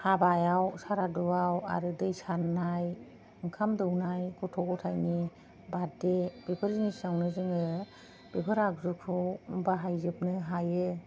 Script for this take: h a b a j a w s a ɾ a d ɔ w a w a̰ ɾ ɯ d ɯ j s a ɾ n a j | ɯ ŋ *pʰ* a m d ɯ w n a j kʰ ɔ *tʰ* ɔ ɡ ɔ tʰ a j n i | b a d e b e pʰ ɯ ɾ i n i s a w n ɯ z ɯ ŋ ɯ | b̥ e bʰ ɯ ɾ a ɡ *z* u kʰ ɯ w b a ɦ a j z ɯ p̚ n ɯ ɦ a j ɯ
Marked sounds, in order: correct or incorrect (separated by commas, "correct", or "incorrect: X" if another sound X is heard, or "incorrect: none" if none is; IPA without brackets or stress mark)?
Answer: incorrect: kʰ, correct, correct